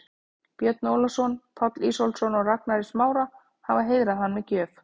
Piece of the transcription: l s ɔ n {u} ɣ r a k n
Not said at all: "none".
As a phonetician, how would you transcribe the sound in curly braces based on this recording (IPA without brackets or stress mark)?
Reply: ɔ